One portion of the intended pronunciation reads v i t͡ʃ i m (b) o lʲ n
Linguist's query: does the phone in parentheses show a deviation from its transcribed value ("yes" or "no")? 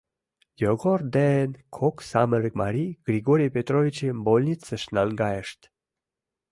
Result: no